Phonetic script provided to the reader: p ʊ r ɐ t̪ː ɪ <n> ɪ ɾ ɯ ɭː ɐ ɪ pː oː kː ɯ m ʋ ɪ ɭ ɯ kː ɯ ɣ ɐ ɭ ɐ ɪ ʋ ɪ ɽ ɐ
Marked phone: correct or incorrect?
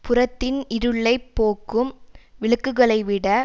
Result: correct